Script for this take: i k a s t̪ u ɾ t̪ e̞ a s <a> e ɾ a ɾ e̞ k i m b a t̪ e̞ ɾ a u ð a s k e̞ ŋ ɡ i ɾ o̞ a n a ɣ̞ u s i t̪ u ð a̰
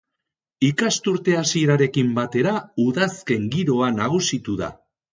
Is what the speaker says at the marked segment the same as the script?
no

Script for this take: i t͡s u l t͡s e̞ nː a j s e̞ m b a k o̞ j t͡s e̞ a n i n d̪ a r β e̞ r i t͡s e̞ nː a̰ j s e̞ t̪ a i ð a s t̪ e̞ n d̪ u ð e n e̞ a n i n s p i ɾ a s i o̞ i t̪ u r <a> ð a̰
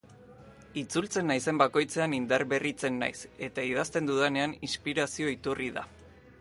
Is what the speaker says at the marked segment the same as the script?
no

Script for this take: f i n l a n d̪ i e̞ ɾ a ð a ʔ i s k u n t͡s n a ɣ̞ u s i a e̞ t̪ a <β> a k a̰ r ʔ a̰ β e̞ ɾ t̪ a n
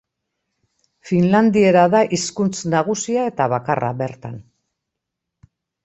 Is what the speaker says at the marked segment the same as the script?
yes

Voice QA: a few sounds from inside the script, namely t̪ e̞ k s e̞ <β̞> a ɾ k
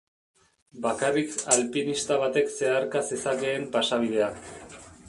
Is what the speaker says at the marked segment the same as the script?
no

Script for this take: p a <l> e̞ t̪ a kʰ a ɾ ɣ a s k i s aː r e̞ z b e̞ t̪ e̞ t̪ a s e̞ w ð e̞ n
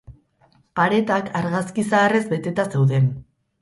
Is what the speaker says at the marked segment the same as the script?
no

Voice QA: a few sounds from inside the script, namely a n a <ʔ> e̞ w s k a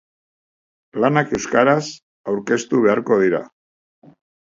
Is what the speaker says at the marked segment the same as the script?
no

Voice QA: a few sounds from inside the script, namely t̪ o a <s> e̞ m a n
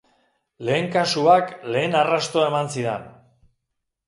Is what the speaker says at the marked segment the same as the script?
no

